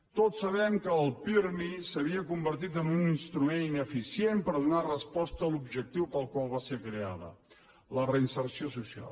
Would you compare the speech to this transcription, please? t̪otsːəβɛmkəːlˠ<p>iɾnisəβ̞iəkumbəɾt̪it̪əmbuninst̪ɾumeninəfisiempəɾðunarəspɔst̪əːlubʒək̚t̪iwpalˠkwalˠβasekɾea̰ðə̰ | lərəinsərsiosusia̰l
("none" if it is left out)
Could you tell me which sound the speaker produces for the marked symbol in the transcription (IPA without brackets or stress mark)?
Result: p